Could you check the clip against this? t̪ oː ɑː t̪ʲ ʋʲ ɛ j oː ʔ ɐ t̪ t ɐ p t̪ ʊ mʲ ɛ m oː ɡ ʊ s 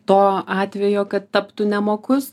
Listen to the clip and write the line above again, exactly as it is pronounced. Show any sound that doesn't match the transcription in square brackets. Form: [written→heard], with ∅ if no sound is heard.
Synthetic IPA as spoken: t̪ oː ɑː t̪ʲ ʋʲ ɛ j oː [ʔ→k] ɐ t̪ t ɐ p t̪ ʊ [mʲ→nʲ] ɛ m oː [ɡ→k] ʊ s